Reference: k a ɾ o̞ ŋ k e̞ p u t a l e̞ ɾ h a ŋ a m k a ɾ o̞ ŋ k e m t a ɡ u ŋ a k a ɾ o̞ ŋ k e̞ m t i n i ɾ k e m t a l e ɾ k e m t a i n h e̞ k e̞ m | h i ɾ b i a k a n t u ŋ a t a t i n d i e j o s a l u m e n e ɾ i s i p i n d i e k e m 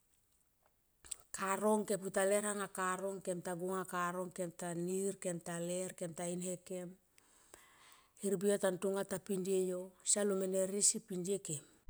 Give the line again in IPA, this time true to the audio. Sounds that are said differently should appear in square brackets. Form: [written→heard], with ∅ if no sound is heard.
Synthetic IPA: k a ɾ o̞ ŋ k e̞ p u t a l e̞ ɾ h a ŋ a [m→∅] k a ɾ o̞ ŋ k e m t a ɡ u ŋ a k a ɾ o̞ ŋ k e̞ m t [i→a] n i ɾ k e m t a l e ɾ k e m t a i n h e̞ k e̞ m | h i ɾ b i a [k→t] a n t u ŋ a t a [t→p] i n d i e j o s a l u m e n e ɾ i s i p i n d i e k e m